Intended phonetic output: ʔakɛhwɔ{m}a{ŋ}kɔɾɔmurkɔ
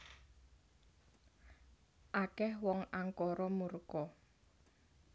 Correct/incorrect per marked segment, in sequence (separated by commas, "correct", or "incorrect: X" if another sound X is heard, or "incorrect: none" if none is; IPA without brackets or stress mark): incorrect: ŋ, correct